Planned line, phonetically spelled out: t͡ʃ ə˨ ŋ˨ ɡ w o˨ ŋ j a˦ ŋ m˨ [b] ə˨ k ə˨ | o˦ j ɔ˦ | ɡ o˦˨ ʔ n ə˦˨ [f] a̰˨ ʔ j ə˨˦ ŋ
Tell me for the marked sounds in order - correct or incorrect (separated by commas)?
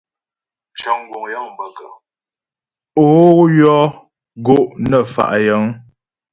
correct, correct